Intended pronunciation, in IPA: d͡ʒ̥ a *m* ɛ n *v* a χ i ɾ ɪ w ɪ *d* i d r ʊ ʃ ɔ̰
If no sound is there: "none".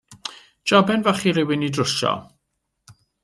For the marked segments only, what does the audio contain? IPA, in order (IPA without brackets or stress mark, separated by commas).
b, v, n